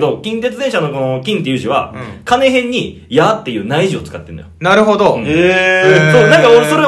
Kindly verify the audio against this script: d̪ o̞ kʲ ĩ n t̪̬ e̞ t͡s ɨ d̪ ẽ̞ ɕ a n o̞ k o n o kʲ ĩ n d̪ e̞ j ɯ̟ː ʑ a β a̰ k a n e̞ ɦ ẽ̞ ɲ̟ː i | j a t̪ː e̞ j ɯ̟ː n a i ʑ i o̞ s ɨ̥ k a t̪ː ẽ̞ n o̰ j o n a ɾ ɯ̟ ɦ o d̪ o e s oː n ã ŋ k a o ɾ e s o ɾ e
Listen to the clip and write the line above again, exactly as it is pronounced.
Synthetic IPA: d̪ o̞ kʲ ĩ n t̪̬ e̞ t͡s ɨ d̪ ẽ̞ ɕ a n o̞ k o n o kʲ ĩ n t̪ e̞ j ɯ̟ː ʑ i β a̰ k a n e̞ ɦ ẽ̞ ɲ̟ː i | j a t̪ː e̞ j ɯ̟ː n a i ʑ i o̞ t͡s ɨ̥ k a t̪ː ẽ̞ n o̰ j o n a ɾ ɯ̟ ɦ o d̪ o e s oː n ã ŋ k a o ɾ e s o ɾ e